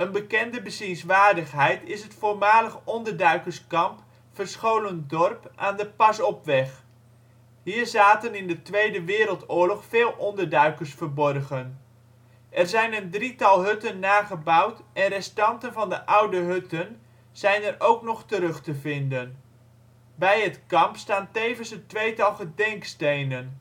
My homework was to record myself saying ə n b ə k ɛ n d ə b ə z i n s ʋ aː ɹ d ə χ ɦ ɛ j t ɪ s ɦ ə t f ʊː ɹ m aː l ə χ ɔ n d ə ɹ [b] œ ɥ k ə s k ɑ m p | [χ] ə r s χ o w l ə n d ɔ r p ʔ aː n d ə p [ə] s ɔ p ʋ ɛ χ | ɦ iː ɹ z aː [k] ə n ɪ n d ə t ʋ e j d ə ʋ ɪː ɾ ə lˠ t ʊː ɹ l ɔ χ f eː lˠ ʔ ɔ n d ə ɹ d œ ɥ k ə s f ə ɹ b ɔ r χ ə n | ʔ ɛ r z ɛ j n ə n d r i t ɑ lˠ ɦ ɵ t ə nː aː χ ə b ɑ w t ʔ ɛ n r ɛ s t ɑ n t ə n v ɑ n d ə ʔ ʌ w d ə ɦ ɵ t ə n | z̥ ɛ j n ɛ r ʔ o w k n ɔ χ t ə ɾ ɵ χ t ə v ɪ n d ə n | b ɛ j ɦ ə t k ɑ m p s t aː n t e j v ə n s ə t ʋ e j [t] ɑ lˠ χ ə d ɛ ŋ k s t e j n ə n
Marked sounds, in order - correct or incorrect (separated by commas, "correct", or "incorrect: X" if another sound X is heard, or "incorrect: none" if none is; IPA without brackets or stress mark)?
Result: incorrect: d, incorrect: f, incorrect: ɑ, incorrect: t, correct